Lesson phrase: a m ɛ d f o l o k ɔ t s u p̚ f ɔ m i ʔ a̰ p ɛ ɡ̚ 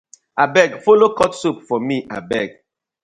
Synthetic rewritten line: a b ɛ ɡ f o l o k ɔ t s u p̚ f ɔ m i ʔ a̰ b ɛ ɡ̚